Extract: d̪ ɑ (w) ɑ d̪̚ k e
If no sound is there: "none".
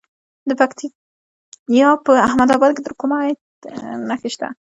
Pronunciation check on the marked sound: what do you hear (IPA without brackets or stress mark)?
b